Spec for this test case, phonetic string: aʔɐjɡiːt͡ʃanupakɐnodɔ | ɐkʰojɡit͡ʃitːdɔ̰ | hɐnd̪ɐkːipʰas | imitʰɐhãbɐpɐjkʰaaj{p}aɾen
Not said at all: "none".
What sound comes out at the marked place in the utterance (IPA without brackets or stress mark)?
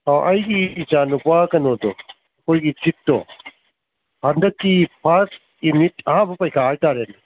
t